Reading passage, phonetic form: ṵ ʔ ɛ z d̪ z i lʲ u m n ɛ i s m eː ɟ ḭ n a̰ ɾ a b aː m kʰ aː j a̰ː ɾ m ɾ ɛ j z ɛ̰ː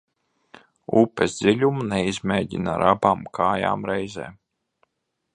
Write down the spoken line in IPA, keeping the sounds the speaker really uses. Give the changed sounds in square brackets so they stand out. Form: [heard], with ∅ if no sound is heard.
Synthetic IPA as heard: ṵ [p] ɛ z d̪ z i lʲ u m n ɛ i [z] m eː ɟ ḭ n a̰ ɾ a b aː m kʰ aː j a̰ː [∅] m ɾ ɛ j z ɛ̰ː